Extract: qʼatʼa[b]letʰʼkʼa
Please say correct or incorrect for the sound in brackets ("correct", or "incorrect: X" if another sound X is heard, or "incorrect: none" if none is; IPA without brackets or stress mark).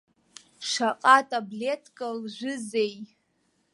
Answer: correct